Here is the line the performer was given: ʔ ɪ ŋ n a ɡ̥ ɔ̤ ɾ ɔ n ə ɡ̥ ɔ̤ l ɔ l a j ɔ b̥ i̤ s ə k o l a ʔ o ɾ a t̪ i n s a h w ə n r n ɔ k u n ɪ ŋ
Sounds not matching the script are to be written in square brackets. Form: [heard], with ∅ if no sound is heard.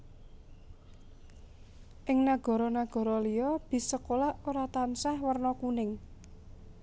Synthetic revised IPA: ʔ ɪ ŋ n a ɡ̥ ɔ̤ ɾ ɔ n [a] ɡ̥ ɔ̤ [ɾ] ɔ l [i] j ɔ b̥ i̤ s ə k o l a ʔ o ɾ a t̪ [a] n s a h w ə [∅] r n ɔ k u n ɪ ŋ